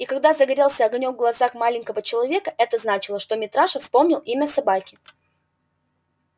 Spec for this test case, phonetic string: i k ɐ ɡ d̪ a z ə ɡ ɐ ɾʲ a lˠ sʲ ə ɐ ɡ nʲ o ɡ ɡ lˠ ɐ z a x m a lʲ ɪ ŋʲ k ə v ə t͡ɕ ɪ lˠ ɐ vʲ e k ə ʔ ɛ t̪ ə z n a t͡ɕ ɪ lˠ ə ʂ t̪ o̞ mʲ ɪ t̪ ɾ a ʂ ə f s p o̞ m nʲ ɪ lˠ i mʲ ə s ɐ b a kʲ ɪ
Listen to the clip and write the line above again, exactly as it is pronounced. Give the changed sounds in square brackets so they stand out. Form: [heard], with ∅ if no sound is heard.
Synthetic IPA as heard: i k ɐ ɡ d̪ a z ə ɡ ɐ ɾʲ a lˠ sʲ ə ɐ ɡ nʲ o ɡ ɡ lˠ ɐ z a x m a lʲ ɪ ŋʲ k ə v ə t͡ɕ ɪ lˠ ɐ vʲ e k ə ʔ ɛ t̪ ə z n a t͡ɕ ɪ lˠ ə ʂ t̪ o̞ mʲ ɪ t̪ ɾ a ʂ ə f s p o̞ m nʲ ɪ lˠ i mʲ ə s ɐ b a kʲ ɪ